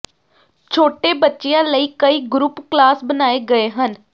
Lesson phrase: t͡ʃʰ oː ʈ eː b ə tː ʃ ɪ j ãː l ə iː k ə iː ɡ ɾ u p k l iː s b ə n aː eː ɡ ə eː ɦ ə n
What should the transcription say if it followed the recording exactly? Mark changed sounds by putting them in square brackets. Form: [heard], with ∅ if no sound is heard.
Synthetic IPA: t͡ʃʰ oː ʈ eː b ə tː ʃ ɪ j ãː l ə iː k ə iː ɡ ɾ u p k l [aː] s b ə n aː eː ɡ ə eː ɦ ə n